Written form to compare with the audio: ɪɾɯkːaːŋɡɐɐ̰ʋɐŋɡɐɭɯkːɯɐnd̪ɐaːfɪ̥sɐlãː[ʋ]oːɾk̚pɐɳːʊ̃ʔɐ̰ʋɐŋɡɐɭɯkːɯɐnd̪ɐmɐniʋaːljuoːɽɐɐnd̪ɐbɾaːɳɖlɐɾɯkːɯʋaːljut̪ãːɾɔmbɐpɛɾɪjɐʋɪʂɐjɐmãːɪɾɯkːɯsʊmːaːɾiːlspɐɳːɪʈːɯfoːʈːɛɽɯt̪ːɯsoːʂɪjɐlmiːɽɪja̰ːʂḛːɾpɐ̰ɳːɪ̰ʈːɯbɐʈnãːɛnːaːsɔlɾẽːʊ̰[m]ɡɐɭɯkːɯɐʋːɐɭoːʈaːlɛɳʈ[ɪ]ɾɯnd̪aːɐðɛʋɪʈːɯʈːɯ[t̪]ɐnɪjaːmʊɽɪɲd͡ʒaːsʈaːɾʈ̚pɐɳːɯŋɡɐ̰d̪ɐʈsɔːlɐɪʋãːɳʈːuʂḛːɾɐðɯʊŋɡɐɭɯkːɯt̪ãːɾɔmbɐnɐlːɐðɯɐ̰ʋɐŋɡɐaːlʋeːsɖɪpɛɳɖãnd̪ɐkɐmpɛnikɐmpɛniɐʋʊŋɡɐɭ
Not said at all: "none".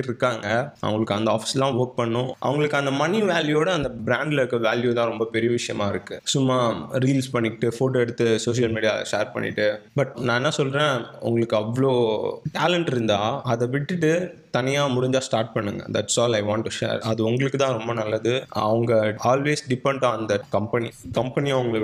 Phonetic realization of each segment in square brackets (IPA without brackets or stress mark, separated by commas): ʋ, ŋ, ɪ, t̪